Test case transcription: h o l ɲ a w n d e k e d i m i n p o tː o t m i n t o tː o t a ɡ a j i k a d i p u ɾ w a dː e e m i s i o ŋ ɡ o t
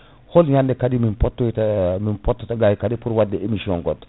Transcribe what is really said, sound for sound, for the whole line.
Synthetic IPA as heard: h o l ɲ a n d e k a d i m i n p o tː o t m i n p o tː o t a ɡ a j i k a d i p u ɾ w a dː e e m i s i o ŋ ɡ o t